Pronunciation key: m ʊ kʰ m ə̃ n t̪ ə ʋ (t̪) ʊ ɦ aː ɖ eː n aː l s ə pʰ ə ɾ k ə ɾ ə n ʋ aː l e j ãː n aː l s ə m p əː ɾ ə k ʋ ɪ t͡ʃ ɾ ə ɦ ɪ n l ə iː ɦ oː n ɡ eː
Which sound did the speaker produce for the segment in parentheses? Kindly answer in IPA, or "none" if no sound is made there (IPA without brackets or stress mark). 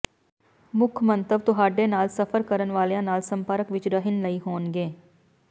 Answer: t̪